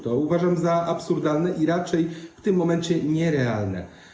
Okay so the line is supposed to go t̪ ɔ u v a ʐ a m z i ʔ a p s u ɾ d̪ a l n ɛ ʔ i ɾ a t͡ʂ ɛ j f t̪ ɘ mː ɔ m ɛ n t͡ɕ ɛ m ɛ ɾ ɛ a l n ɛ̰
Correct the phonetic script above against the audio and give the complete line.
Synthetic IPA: t̪ ɔ u v a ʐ a m z a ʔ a p s u ɾ d̪ a l n ɛ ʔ i ɾ a t͡ʂ ɛ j f t̪ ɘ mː ɔ m ɛ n t͡ɕ ɛ ɲ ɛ ɾ ɛ a l n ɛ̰